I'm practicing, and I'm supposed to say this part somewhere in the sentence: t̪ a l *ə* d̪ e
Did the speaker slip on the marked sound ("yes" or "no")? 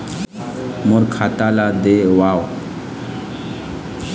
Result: yes